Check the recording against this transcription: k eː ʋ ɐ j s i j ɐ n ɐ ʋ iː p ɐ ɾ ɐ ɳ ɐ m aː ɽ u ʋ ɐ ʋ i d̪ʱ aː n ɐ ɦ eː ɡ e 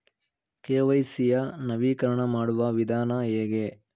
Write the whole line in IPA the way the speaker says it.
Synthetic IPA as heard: k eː ʋ ɐ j s i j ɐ n ɐ ʋ iː k ɐ ɾ ɐ ɳ ɐ m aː ɽ u ʋ ɐ ʋ i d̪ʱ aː n ɐ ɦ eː ɡ e

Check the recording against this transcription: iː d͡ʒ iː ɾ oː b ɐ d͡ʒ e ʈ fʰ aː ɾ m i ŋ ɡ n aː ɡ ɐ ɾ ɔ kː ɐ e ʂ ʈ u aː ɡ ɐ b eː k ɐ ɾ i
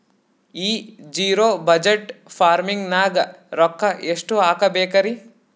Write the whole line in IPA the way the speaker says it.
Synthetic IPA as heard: iː d͡ʒ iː ɾ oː b ɐ d͡ʒ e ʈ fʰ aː ɾ m i ŋ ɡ n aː ɡ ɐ ɾ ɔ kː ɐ e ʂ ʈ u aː k ɐ b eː k ɐ ɾ i

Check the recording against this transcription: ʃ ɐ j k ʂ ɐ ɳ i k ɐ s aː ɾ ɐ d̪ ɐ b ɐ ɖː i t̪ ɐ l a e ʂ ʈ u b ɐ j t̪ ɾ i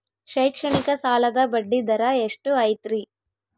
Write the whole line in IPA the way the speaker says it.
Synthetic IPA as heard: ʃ ɐ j k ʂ ɐ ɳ i k ɐ s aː l ɐ d̪ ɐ b ɐ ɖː i d̪ ɐ ɾ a e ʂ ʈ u ɐ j t̪ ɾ i

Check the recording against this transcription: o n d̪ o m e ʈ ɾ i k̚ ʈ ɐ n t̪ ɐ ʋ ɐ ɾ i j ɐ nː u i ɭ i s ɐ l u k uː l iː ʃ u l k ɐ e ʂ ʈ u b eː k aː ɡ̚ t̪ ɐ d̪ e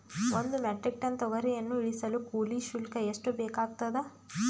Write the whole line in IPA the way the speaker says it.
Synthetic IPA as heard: o n d̪ u m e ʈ ɾ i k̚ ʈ ɐ n t̪ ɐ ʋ ɐ ɾ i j ɐ nː u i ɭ i s ɐ l u k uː l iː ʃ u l k ɐ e ʂ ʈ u b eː k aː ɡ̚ t̪ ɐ d̪ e

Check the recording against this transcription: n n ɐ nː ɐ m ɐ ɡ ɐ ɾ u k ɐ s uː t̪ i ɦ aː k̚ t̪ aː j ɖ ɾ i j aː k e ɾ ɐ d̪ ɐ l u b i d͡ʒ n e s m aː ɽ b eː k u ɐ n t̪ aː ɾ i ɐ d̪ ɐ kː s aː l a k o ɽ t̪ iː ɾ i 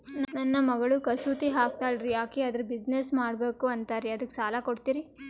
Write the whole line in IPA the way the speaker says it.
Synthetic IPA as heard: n n ɐ nː ɐ m ɐ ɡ ɐ ɭ u k ɐ s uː t̪ i ɦ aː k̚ t̪ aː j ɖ ɾ i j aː k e ɐ d̪ ɐ ɾ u b i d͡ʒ n e s m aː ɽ b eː k u ɐ n t̪ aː ɾ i ɐ d̪ ɐ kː s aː l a k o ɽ t̪ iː ɾ i

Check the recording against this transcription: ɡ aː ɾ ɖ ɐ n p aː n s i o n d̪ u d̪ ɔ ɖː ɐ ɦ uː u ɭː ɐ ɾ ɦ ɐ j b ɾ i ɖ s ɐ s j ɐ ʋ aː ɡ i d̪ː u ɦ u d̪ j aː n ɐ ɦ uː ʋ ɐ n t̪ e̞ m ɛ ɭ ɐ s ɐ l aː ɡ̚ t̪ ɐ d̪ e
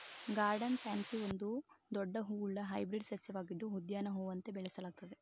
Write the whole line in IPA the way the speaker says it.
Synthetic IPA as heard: ɡ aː ɾ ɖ ɐ n p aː n s i o n d̪ u d̪ ɔ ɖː ɐ ɦ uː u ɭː ɐ ɦ ɐ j b ɾ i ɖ s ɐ s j ɐ ʋ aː ɡ i d̪ː u ɦ u d̪ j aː n ɐ ɦ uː ʋ ɐ n t̪ e̞ b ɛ ɭ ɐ s ɐ l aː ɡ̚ t̪ ɐ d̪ e

